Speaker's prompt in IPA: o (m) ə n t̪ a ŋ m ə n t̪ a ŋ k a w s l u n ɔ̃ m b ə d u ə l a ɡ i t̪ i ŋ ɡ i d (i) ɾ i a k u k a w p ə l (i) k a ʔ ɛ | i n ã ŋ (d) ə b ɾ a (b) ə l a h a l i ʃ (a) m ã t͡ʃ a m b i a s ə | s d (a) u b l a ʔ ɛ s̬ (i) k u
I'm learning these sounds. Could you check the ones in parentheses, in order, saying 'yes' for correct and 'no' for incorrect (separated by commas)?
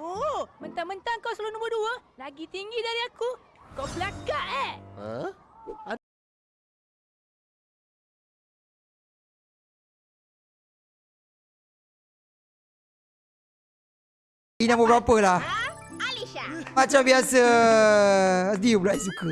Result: yes, no, no, no, no, yes, no, yes